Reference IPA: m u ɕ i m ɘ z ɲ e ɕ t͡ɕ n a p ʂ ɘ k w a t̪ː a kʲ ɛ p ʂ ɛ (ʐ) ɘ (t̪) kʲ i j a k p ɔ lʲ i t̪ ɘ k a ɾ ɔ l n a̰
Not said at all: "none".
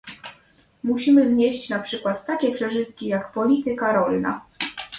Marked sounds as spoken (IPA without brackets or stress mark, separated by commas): ʐ, t̪